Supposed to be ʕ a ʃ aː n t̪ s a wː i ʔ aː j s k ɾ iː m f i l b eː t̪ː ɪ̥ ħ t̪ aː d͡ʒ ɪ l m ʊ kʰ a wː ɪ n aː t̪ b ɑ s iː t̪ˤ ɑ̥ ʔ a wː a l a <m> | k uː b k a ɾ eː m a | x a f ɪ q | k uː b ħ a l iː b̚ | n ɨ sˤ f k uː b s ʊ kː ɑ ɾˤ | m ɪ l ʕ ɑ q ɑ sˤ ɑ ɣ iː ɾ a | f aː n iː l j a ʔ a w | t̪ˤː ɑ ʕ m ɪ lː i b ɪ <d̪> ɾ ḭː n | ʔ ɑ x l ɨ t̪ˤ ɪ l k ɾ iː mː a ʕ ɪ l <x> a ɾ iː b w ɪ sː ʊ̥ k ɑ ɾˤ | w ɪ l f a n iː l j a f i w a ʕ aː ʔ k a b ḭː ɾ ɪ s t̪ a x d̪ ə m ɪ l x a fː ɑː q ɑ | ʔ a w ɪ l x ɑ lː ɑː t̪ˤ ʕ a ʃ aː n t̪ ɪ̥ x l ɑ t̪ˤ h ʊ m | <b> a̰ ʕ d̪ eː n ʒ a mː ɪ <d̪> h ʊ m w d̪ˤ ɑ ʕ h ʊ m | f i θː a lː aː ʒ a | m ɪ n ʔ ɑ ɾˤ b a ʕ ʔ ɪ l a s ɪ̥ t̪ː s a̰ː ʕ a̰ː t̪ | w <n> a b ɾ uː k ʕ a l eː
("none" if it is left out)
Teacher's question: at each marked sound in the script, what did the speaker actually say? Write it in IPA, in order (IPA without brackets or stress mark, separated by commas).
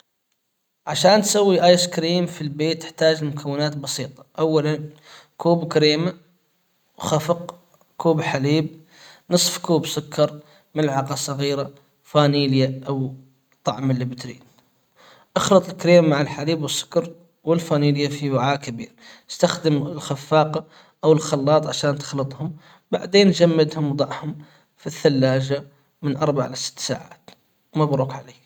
n, t̪, ħ, b, d̪, m